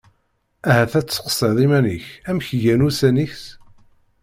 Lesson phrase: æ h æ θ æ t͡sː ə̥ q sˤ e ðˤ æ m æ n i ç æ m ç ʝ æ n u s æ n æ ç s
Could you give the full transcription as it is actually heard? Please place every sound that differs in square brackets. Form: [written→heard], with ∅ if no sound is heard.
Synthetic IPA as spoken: æ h æ θ æ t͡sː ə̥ q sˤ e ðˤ [æ→i] m æ n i ç æ m ç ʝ æ n u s æ n [æ→i] ç s